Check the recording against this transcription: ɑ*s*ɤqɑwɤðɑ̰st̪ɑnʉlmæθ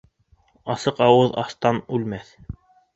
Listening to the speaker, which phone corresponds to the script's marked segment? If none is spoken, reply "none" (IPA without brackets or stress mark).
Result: s